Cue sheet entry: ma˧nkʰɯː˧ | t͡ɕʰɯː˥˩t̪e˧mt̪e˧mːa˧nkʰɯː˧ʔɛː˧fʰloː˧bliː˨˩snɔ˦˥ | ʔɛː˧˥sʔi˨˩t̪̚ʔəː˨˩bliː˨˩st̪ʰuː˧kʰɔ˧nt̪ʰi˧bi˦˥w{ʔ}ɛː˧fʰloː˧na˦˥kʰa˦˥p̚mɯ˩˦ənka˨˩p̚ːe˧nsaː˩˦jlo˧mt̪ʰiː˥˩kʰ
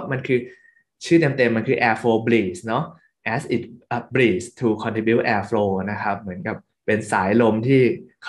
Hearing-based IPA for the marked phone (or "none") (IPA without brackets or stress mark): ʔ